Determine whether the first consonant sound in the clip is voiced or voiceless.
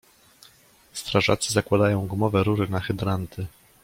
voiceless